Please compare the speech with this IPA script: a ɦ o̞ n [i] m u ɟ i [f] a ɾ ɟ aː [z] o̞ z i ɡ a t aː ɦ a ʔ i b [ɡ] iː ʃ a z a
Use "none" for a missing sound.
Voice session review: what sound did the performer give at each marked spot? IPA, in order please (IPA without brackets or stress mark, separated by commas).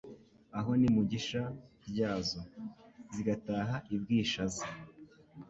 i, ʃ, z, ɡ